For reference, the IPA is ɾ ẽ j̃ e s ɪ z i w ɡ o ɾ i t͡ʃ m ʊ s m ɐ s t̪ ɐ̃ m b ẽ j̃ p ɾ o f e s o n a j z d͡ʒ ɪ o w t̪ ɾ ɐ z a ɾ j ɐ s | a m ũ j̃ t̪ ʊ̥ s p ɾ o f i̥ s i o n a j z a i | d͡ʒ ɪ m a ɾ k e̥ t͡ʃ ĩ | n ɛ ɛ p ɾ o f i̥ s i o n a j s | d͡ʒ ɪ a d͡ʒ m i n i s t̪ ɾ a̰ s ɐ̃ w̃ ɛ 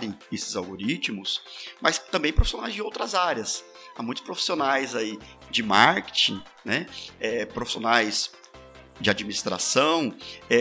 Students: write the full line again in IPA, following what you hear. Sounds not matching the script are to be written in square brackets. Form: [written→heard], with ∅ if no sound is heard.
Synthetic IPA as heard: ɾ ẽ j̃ e s ɪ z [i→a] w ɡ o ɾ i t͡ʃ m ʊ s m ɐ s t̪ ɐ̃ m b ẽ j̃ p ɾ o f [e→i] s o n a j z d͡ʒ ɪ o w t̪ ɾ ɐ z a ɾ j ɐ s | a m ũ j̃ t̪ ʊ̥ s p ɾ o f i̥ s i o n a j z a i | d͡ʒ ɪ m a ɾ k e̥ t͡ʃ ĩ | n ɛ ɛ p ɾ o f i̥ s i o n a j s | d͡ʒ ɪ a d͡ʒ m i n i s t̪ ɾ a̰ s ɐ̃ w̃ ɛ